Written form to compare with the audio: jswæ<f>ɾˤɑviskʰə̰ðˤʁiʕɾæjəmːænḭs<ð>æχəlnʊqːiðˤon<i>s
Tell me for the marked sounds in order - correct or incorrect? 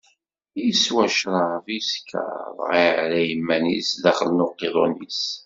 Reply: incorrect, correct, correct

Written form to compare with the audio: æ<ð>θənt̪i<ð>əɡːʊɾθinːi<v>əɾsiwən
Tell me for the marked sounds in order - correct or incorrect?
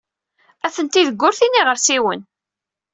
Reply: incorrect, correct, incorrect

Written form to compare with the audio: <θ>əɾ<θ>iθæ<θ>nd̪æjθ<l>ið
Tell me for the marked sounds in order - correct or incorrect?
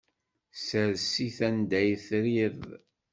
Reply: incorrect, incorrect, incorrect, incorrect

